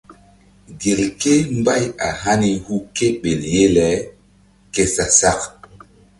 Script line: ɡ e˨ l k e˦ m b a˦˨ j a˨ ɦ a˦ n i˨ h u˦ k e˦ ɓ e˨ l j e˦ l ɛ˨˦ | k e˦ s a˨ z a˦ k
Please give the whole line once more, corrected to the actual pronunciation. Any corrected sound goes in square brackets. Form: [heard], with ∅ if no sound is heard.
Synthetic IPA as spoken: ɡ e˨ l k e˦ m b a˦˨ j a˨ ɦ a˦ n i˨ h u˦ k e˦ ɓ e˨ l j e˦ l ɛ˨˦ | k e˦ s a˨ [s] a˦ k